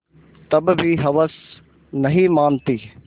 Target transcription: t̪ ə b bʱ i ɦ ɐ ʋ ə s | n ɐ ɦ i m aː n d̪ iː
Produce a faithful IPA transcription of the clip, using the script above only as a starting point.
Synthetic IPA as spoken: t̪ ɐ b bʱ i ɦ ɐ ʋ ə s | n ɐ ɦ i m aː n t̪ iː